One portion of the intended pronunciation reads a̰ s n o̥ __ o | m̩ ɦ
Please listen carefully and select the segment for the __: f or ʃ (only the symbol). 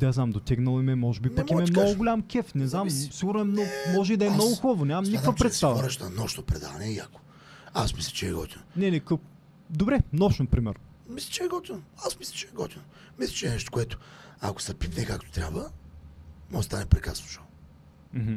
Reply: ʃ